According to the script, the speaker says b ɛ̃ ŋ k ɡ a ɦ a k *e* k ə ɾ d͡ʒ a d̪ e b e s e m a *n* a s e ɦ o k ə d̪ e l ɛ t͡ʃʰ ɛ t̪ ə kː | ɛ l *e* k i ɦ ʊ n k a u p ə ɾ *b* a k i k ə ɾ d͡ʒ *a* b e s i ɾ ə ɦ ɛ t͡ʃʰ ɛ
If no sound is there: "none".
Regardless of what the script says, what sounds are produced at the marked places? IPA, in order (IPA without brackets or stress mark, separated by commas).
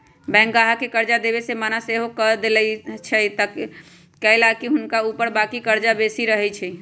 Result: e, n, a, b, a